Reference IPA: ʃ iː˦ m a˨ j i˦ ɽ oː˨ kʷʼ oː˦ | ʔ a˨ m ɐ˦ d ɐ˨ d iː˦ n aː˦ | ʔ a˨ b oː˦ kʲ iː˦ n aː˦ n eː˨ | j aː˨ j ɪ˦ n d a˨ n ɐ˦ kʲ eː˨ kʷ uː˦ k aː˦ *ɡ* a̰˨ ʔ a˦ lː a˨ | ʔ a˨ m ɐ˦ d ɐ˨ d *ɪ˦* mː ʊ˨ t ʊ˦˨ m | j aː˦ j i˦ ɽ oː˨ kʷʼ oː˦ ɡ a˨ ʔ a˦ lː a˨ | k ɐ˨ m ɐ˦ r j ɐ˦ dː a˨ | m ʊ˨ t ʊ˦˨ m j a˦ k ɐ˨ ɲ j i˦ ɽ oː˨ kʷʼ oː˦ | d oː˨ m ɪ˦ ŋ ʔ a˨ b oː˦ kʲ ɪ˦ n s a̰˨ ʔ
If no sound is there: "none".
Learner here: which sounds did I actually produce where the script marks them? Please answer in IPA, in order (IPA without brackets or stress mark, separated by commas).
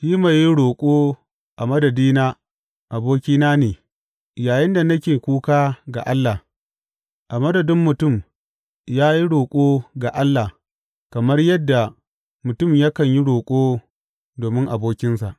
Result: ɡ, ɪ˦